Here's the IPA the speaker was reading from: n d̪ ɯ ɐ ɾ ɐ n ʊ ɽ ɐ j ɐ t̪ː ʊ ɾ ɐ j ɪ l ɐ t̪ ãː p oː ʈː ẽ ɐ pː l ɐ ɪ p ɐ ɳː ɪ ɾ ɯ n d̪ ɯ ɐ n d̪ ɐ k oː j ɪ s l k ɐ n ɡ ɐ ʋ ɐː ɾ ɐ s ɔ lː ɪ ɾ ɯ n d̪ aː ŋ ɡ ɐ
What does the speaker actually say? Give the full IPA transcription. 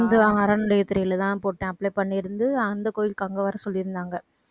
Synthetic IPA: n d̪ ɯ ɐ ɾ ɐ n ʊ ɽ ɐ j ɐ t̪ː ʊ ɾ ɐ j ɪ l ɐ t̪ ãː p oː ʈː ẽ ɐ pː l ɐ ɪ p ɐ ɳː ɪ ɾ ɯ n d̪ ɯ ɐ n d̪ ɐ k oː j ɪ l k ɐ ŋ ɡ ɐ ʋ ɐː ɾ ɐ s ɔ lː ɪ ɾ ɯ n d̪ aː ŋ ɡ ɐ